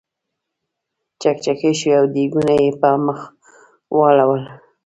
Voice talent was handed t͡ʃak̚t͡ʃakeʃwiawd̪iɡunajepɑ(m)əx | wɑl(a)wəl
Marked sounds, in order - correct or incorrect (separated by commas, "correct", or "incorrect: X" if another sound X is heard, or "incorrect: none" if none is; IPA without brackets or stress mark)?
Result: correct, correct